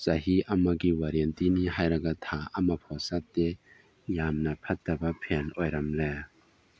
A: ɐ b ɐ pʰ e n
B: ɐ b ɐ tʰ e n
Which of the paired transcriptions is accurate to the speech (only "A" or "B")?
A